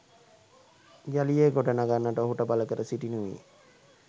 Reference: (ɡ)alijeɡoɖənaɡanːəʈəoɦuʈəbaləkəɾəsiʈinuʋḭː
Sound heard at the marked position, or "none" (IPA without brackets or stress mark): ɡ